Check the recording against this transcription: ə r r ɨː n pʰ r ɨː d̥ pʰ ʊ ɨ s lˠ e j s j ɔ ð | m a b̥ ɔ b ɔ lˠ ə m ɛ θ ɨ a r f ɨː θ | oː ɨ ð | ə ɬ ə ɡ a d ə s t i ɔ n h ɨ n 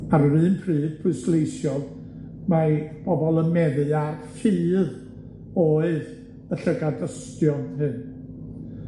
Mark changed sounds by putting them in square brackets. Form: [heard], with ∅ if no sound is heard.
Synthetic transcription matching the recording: [a] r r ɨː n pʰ r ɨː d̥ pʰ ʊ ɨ s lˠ e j s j ɔ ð | m a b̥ ɔ b ɔ lˠ ə m ɛ [ð] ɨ a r f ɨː [ð] | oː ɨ ð | ə ɬ ə ɡ a d ə s t [j] ɔ n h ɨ n